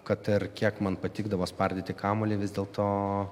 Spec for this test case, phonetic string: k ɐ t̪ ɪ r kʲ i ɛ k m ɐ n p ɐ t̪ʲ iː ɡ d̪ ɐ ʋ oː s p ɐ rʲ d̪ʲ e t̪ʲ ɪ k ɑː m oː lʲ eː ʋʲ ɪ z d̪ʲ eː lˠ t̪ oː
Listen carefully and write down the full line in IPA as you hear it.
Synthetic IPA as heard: k ɐ t̪ ɪ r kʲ i ɛ k m ɐ n p ɐ t̪ʲ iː ɡ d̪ ɐ ʋ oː s p ɐ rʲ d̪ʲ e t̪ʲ ɪ k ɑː m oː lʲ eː ʋʲ ɪ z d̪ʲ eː lˠ t̪ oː